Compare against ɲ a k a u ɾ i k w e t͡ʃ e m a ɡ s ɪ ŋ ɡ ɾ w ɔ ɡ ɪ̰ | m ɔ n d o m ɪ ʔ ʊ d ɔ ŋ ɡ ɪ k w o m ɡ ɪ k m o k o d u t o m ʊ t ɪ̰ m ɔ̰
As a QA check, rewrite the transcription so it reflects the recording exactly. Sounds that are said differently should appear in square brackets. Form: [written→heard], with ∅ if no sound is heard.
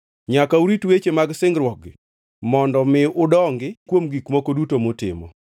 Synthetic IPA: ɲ a k a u ɾ i [k→t] w e t͡ʃ e m a ɡ s ɪ ŋ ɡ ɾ w ɔ ɡ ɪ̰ | m ɔ n d [o→ɔ] m ɪ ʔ ʊ d ɔ ŋ ɡ ɪ k w o m ɡ [ɪ→i] k m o k o d u t o m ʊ t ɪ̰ m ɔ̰